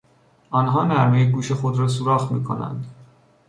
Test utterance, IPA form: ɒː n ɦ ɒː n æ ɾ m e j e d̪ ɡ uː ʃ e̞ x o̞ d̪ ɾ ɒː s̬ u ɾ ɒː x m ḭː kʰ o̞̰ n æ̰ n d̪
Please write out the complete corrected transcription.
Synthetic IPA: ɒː n ɦ ɒː n æ ɾ m e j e ɡ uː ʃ e̞ x o̞ d̪ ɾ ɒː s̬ u ɾ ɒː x m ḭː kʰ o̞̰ n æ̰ n d̪